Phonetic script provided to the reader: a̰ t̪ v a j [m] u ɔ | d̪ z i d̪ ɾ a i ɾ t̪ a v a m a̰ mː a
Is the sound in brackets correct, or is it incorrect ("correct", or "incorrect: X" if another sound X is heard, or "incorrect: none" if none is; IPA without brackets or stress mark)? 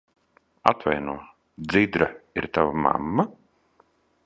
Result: incorrect: n